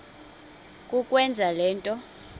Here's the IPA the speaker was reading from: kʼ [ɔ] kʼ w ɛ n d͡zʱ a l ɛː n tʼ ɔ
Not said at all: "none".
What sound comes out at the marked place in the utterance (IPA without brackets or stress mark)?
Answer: u